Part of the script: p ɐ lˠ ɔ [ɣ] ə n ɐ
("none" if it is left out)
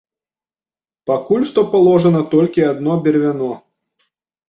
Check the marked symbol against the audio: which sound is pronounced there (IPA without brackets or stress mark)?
ʐ